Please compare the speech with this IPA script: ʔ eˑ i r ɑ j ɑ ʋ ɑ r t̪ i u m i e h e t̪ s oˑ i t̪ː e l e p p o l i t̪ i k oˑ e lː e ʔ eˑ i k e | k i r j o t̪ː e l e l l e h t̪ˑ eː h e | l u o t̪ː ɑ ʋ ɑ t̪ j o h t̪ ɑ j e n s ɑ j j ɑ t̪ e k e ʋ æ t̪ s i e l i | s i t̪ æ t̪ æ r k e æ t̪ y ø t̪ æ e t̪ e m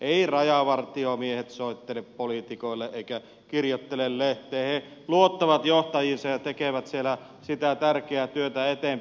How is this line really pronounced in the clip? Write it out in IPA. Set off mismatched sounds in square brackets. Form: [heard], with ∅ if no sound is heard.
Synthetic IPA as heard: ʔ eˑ i r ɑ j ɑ ʋ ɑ r t̪ i [o] m i e h e t̪ s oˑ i t̪ː e l e p p o l i t̪ i k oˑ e lː e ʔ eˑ i k [æ] | k i r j o t̪ː e l e l l e h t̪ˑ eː h e | l u o t̪ː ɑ ʋ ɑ t̪ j o h t̪ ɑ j [i] n s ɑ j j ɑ t̪ e k e ʋ æ t̪ s i e l [æ] | s i t̪ æ t̪ æ r k e æ t̪ y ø t̪ æ e t̪ e m